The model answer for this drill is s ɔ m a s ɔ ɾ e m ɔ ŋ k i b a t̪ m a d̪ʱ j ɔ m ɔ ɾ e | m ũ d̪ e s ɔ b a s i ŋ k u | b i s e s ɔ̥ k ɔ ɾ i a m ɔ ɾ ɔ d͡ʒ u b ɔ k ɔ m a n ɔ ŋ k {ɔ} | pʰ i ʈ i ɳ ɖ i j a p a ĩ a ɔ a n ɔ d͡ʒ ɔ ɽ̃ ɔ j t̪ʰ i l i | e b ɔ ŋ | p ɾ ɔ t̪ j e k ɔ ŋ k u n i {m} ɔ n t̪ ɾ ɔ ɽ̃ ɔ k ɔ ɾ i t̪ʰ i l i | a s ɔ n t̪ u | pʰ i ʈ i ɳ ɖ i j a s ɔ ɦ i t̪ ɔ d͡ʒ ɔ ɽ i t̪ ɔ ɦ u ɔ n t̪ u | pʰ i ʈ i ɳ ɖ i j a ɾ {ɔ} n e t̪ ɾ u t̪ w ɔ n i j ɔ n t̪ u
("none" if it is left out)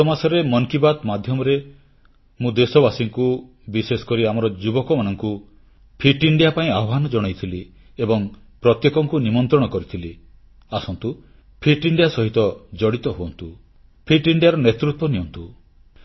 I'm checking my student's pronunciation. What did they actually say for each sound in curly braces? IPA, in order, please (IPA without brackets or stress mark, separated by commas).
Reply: u, m, ɔ